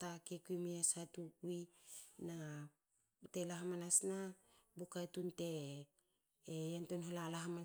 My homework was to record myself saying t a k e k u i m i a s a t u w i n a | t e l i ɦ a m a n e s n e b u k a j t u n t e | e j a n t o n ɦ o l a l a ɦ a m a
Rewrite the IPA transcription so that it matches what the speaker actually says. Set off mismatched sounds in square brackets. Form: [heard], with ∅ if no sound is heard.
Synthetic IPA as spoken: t a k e k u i m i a s a t u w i n a | t e l [a] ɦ a m a n [a] s n [a] b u k a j t u n t e | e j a n t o n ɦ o l a l a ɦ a m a